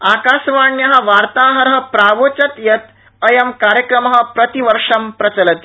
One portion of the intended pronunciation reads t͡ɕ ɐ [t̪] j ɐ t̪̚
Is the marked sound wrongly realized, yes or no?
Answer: no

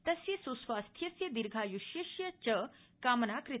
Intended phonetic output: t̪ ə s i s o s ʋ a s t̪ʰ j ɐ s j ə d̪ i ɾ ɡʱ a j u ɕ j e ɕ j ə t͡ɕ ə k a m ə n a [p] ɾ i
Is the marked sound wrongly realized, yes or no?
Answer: yes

